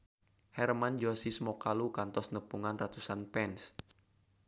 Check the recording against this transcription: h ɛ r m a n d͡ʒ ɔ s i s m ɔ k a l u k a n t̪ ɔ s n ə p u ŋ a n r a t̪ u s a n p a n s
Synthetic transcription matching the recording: h ɛ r m a n d͡ʒ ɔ s i s m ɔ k a l u k a n t̪ ɔ s n ə p u ŋ a n r a t̪ u s a n p ɛ n s